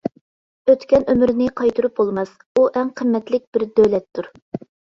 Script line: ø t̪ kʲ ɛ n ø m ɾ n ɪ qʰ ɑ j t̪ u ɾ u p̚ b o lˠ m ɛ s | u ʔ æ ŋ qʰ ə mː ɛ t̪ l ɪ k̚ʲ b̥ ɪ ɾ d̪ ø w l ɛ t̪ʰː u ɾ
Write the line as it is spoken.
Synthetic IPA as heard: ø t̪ kʲ ɛ n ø m ɾ n ɪ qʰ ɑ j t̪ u ɾ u p̚ b o lˠ m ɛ s | u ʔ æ ŋ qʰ ə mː ɛ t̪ l ɪ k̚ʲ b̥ ɪ ɾ d̪ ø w l ɛ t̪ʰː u ɾ